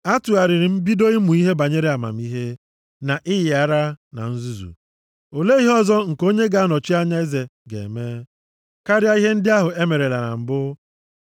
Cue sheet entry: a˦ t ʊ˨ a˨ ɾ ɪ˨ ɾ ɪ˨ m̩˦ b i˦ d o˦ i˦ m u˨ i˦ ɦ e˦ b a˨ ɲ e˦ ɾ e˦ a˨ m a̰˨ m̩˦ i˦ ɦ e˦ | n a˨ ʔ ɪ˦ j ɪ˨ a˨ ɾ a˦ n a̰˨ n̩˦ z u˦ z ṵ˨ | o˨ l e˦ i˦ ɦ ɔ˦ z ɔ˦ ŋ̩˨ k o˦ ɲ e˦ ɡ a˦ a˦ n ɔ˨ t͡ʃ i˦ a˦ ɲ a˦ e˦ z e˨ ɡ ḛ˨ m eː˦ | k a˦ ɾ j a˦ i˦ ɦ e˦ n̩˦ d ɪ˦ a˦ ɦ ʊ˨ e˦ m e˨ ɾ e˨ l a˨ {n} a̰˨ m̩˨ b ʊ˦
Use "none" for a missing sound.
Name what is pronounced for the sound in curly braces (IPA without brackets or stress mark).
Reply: n